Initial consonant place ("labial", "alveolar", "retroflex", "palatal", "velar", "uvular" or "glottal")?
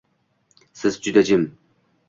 alveolar